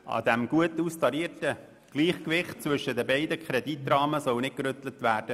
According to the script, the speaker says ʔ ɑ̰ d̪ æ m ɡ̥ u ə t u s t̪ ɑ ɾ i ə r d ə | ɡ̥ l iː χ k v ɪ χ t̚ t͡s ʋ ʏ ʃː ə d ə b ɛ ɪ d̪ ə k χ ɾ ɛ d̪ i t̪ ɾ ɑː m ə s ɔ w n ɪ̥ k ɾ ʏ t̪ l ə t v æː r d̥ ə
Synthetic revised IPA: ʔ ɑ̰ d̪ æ m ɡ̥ u ə t u s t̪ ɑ ɾ i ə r t ə | ɡ̥ l iː χ k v ɪ χ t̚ t͡s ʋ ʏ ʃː ə d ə b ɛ ɪ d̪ ə k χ ɾ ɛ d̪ i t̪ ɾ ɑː m ə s ɔ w n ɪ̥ k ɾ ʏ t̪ l ə t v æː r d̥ ə